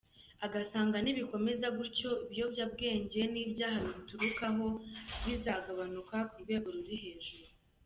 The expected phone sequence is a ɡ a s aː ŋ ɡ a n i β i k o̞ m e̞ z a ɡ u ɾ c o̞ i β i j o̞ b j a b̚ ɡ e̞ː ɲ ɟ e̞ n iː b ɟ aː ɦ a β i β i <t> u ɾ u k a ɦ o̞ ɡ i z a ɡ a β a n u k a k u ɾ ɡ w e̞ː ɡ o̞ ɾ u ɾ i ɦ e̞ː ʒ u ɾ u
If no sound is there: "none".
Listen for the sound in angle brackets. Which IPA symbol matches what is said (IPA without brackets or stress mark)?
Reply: t